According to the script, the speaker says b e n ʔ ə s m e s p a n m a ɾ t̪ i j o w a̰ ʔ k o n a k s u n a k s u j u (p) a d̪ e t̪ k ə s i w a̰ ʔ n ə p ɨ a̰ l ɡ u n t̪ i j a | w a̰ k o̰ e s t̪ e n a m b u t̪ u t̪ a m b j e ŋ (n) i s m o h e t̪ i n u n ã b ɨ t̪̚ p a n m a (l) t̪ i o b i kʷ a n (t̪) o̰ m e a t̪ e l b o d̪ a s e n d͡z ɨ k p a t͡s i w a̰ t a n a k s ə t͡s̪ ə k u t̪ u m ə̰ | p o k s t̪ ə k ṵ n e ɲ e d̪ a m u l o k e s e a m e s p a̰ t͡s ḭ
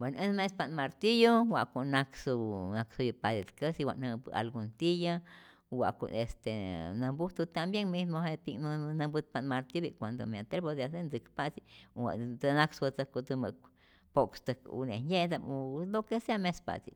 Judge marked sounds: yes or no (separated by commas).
yes, no, no, no